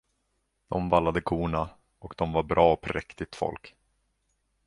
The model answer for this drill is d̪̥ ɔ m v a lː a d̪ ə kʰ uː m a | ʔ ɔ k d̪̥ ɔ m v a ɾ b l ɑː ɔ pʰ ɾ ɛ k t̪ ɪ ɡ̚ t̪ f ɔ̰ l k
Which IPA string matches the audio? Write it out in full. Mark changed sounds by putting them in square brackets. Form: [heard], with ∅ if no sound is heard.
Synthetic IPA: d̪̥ ɔ m v a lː a d̪ ə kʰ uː [ɳ] a | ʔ ɔ k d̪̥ ɔ m v a ɾ b [ɾ] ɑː ɔ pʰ ɾ ɛ k t̪ ɪ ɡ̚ t̪ f ɔ̰ l k